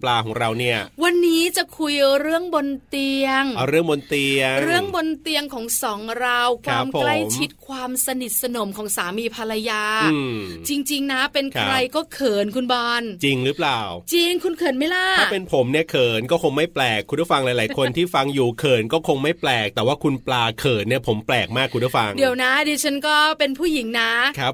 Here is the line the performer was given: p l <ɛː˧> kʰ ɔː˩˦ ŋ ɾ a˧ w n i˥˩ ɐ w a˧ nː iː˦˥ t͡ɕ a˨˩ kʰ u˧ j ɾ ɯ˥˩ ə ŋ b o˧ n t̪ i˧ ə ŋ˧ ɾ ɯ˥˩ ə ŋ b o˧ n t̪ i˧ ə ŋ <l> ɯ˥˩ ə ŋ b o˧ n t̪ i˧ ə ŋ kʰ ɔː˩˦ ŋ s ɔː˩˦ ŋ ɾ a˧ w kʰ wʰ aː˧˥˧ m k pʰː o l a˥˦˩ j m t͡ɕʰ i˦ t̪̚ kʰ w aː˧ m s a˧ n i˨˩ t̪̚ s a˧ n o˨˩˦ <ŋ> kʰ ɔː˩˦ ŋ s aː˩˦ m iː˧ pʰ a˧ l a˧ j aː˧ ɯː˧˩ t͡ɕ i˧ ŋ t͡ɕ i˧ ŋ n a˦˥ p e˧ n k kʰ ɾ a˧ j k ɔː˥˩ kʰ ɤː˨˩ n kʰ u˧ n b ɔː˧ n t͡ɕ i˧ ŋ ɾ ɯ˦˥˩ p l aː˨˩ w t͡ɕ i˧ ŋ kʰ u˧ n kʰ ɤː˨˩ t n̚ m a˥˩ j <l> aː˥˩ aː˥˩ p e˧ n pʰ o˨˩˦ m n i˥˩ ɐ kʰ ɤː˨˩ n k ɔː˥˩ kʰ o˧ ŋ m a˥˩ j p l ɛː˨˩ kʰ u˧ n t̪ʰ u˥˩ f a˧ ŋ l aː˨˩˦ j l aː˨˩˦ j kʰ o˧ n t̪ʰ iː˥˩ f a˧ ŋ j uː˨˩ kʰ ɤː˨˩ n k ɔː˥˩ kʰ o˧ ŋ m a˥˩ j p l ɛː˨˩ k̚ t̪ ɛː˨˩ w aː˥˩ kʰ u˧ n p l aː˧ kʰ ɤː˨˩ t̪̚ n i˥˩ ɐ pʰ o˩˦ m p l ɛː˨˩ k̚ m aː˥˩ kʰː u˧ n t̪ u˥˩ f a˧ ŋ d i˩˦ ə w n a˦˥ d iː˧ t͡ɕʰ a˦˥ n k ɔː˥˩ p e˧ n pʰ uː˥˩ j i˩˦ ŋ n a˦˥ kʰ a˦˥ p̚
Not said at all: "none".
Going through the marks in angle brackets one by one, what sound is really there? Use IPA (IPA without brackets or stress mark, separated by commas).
aː˧, ɾ, m, l